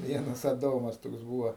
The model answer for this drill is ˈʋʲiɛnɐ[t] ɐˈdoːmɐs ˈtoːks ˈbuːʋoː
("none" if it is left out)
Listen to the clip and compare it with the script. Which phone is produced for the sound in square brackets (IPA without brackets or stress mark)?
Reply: s